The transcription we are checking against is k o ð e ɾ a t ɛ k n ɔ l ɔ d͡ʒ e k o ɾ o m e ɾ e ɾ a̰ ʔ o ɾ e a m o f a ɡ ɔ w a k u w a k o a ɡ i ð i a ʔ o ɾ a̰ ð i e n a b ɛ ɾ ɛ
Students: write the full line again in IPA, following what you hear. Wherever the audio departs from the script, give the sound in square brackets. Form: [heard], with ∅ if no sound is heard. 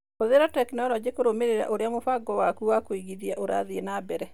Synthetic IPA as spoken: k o ð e ɾ a t ɛ k n ɔ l ɔ d͡ʒ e k o ɾ o m e ɾ e ɾ a̰ ʔ o ɾ e a m o f a ɡ ɔ w a k u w a k o [i] ɡ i ð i a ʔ o ɾ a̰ ð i e n a b ɛ ɾ ɛ